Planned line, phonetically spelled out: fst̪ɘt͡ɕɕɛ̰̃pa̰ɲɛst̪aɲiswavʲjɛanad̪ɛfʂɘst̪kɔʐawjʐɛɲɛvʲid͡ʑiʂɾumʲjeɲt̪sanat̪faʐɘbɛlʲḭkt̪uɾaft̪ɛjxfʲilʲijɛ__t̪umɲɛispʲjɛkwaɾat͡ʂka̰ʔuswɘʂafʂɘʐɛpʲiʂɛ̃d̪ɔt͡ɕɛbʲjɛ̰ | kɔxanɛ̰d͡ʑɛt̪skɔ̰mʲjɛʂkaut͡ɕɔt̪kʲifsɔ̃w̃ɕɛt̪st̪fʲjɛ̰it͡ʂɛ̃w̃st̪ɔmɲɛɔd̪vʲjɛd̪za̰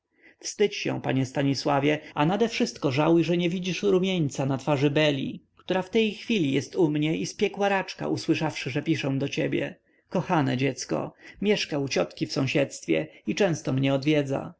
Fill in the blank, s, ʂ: s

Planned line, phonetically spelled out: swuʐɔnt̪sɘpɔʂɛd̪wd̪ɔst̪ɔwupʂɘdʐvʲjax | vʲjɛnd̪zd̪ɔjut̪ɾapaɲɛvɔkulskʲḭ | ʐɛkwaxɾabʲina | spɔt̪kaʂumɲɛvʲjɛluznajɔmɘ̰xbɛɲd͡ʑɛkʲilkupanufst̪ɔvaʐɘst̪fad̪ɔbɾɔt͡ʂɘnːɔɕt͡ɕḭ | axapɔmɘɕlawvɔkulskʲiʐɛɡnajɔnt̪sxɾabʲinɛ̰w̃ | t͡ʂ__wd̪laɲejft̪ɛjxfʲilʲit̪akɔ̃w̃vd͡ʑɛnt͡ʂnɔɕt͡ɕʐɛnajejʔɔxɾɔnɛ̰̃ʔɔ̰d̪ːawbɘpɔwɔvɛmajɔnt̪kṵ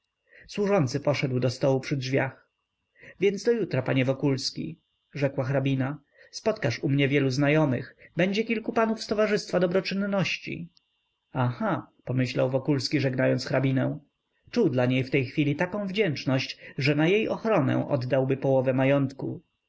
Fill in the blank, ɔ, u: u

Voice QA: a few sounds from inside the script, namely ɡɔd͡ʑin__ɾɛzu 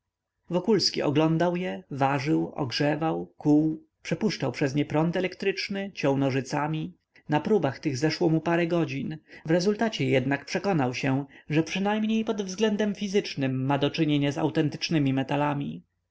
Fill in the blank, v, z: v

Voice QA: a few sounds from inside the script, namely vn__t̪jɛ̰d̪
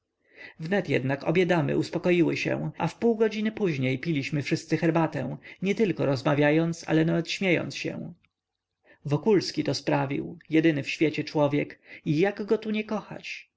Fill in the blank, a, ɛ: ɛ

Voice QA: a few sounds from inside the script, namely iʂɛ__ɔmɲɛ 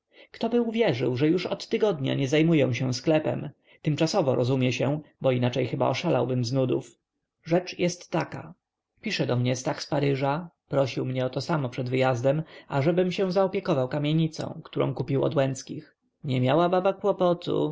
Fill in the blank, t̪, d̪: d̪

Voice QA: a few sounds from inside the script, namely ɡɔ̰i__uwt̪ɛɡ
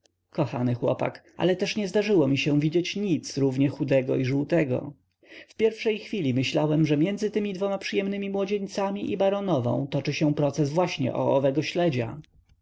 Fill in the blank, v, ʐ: ʐ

